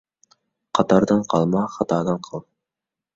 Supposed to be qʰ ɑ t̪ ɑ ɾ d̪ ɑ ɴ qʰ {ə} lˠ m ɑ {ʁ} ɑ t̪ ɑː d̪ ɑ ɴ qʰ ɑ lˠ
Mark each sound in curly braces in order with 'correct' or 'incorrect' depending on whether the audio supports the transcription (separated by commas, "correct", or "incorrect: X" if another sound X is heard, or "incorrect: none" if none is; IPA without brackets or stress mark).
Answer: incorrect: ɑ, incorrect: χ